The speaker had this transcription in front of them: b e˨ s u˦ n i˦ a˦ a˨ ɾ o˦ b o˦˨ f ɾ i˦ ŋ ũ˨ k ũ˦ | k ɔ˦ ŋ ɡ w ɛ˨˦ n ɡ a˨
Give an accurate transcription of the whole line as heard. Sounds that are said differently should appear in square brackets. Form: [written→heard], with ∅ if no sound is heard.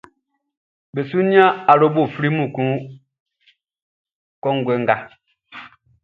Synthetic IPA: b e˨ s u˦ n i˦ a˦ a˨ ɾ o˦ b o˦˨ f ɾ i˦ [ŋ→m] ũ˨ k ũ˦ | k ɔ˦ ŋ ɡ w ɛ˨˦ [n→ŋ] ɡ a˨